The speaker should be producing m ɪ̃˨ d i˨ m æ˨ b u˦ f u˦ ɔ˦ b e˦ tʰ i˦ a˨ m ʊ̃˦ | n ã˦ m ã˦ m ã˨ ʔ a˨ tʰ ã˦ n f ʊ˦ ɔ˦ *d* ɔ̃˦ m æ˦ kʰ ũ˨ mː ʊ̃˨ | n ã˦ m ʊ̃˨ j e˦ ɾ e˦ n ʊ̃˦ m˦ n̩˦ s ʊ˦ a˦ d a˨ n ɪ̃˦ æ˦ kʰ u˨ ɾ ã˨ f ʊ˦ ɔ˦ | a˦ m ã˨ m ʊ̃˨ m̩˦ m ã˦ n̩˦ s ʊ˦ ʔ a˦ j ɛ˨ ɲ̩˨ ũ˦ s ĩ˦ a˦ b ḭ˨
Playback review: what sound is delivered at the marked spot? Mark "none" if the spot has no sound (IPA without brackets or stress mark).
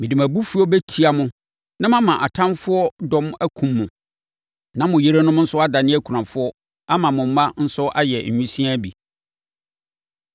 d